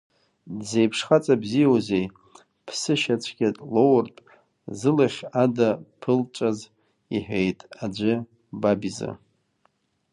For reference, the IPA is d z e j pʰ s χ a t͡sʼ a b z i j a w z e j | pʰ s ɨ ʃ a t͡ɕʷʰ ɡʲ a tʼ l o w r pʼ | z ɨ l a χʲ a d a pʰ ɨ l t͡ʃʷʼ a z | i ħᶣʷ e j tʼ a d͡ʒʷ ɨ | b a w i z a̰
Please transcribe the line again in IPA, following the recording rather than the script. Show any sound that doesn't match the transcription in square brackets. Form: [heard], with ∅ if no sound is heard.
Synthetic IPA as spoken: d z e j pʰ [ʂ] χ a t͡sʼ a b z i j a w z e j | pʰ s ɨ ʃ a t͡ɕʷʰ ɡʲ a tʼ l o w r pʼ | z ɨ l a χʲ a d a pʰ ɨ l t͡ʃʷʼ a z | i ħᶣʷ e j tʼ a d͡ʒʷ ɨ | b a [b] i z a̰